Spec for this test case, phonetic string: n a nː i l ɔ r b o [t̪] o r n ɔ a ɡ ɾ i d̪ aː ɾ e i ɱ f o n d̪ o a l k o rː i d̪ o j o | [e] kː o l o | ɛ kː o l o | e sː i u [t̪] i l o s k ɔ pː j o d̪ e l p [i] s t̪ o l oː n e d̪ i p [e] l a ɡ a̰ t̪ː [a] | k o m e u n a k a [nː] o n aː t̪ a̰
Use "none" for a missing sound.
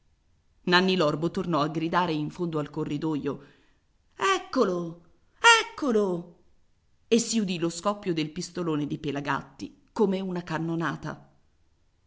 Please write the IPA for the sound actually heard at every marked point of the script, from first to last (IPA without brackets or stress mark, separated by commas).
t̪, ɛ, d̪, i, e, i, nː